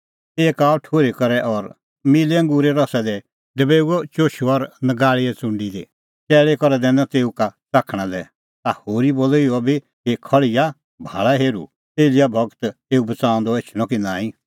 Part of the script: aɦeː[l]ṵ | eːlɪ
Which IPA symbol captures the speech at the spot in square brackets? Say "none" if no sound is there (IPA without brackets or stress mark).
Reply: ɾ